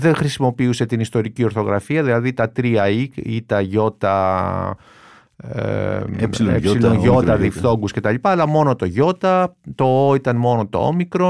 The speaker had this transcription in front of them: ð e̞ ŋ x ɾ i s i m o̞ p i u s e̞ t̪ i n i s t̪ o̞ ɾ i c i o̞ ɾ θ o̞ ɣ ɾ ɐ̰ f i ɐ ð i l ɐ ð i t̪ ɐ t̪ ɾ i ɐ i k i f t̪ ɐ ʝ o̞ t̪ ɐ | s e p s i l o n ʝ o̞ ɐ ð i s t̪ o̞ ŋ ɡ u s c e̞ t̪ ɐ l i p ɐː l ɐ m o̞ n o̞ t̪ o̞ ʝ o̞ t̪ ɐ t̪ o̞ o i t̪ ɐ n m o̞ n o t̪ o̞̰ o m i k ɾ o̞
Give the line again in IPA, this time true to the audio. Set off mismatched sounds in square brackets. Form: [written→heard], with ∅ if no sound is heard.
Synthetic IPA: ð e̞ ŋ x ɾ i s i m o̞ p i u s e̞ t̪ i n i s t̪ o̞ ɾ i c i o̞ ɾ θ o̞ ɣ ɾ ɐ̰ f i ɐ ð i l ɐ ð i t̪ ɐ t̪ ɾ i ɐ i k i [f→∅] t̪ ɐ ʝ o̞ t̪ ɐ | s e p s i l o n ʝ o̞ ɐ ð i [s→f] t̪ o̞ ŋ ɡ u s c e̞ t̪ ɐ l i p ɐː l ɐ m o̞ n o̞ t̪ o̞ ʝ o̞ t̪ ɐ t̪ o̞ o i t̪ ɐ n m o̞ n o t̪ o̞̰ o m i k ɾ o̞